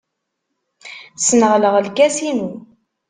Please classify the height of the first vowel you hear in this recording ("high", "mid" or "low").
mid